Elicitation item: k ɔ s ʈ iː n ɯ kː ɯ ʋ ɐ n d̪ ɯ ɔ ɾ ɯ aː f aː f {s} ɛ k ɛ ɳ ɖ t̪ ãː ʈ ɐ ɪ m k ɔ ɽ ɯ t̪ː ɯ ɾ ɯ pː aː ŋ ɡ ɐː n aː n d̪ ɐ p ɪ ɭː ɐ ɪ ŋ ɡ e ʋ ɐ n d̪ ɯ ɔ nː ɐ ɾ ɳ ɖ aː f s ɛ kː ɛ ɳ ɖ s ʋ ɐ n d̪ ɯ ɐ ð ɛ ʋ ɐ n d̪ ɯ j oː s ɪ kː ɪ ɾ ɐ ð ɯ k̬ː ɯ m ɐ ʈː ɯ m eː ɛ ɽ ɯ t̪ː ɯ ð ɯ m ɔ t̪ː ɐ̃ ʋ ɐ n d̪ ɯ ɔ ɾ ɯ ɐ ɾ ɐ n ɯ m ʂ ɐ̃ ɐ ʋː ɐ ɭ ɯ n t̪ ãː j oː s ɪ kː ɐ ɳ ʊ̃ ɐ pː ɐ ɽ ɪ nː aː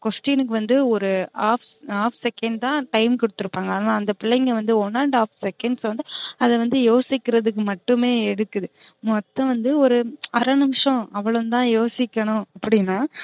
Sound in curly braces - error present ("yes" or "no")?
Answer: no